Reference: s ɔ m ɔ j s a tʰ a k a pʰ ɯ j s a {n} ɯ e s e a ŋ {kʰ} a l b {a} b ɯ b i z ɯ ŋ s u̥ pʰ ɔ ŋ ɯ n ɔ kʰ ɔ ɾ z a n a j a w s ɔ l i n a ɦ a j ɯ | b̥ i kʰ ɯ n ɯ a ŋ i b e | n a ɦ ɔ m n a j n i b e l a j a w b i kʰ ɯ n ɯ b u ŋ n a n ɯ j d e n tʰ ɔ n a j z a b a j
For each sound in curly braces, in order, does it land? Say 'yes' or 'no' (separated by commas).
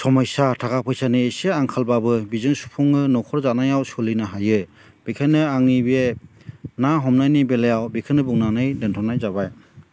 yes, yes, yes